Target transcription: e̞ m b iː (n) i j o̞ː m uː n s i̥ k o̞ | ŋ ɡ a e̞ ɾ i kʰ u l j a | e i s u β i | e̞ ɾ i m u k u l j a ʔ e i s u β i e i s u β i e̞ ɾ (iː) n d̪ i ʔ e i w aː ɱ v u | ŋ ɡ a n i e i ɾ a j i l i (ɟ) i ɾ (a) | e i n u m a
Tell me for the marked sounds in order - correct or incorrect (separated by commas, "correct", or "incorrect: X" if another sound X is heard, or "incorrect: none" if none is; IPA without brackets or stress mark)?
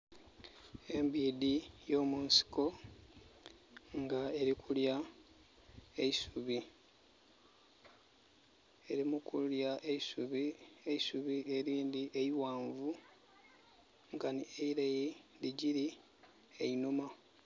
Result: incorrect: d, correct, correct, incorrect: i